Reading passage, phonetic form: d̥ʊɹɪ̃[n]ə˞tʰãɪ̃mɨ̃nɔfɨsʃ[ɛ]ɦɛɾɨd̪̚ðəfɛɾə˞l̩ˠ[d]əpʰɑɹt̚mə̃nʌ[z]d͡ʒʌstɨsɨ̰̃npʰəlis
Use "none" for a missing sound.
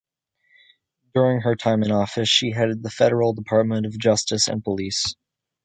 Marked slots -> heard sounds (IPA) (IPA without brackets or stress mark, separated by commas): ŋ, i, d, v